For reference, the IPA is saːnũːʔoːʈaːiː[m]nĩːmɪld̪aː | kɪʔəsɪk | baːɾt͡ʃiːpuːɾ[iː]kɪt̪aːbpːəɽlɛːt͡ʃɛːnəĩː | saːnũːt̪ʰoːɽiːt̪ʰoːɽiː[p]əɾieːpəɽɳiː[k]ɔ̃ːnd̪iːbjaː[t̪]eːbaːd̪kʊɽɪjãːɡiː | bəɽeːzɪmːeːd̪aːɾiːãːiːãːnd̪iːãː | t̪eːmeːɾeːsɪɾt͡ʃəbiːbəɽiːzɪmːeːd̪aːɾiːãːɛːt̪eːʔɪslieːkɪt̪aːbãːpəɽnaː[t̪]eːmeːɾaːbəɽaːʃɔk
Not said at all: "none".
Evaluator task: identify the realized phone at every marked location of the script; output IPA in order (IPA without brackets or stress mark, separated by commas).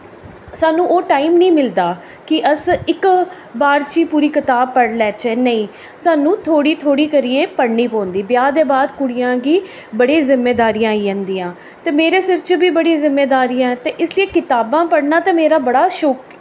m, iː, k, p, d̪, t̪